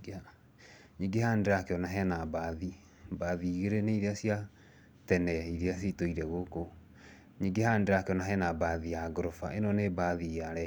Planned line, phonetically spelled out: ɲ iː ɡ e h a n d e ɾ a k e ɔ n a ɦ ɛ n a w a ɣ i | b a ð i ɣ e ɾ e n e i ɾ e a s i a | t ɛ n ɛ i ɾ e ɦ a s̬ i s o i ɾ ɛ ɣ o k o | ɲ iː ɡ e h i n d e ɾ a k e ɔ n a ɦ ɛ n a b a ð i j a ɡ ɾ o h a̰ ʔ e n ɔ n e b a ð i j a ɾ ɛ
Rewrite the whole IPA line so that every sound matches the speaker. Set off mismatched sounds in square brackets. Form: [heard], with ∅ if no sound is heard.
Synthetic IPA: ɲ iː ɡ e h a n d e ɾ a k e ɔ n a ɦ ɛ n a [b] a [ð] i | b a ð i ɣ e ɾ e n e i ɾ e a s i a | t ɛ n ɛ i ɾ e [∅] a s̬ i [t] o i ɾ ɛ ɣ o k o | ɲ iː ɡ e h [a] n d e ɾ a k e ɔ n a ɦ ɛ n a b a ð i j a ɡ ɾ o [f] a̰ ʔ e n ɔ n e b a ð i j a ɾ ɛ